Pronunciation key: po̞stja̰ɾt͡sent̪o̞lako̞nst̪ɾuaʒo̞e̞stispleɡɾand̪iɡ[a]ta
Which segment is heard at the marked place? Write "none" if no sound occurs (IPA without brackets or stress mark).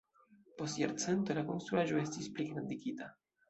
i